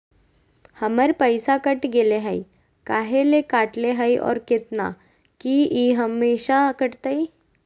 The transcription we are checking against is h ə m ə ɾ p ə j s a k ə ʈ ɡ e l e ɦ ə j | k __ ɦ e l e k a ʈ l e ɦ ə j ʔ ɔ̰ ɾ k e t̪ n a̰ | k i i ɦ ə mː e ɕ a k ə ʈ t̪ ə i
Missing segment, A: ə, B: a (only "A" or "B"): B